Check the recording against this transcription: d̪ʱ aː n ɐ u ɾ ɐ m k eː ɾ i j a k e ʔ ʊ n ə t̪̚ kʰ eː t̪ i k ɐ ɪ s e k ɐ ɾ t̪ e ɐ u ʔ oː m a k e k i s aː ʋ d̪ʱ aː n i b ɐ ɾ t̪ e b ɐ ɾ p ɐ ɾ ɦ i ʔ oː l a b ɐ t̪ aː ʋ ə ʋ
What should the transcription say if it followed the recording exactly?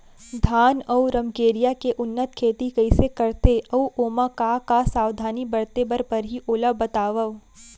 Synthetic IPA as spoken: d̪ʱ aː n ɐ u ɾ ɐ m k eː ɾ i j a k e ʔ ʊ nː ə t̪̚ kʰ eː t̪ i k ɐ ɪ s e k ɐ ɾ t̪ e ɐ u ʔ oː m a k a k a s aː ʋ d̪ʱ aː n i b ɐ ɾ t̪ e b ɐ ɾ p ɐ ɾ ɦ i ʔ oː l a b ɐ t̪ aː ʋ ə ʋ